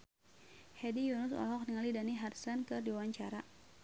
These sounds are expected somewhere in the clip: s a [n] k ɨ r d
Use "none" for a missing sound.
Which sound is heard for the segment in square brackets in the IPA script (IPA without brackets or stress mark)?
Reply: n